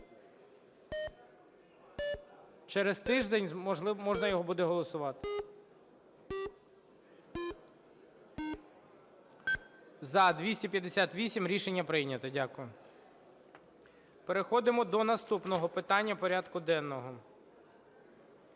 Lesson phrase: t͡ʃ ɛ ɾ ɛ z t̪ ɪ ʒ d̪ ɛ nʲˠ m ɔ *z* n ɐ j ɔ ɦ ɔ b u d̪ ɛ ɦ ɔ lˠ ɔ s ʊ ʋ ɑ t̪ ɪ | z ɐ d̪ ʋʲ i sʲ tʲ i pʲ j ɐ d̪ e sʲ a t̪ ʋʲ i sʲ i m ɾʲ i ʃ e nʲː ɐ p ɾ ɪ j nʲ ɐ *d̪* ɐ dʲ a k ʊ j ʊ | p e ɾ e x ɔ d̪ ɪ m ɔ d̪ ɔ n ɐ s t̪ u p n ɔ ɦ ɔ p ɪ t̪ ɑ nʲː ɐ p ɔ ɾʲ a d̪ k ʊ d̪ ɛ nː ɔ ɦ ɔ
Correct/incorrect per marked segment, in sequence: incorrect: ʒ, incorrect: t̪

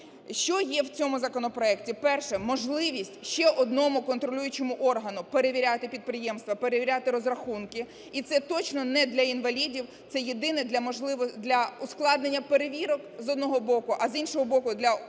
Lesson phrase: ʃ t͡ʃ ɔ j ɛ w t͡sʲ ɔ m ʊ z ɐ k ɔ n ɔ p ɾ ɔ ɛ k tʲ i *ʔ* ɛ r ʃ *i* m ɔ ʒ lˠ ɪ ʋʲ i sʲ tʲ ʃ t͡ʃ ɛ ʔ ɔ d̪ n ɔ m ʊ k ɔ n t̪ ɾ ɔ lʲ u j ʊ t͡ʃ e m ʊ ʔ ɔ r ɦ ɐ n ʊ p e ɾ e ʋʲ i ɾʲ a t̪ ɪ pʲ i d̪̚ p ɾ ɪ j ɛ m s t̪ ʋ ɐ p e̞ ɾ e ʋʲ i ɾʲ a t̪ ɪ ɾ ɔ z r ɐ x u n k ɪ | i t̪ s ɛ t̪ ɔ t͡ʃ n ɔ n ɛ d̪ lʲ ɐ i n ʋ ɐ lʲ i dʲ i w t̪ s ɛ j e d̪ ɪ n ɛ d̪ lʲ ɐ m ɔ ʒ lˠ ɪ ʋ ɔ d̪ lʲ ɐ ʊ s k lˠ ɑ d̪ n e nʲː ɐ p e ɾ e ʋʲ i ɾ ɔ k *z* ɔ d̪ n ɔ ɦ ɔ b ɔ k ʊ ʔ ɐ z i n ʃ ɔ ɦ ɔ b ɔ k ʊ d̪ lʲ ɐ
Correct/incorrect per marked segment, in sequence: incorrect: p, incorrect: ɛ, correct

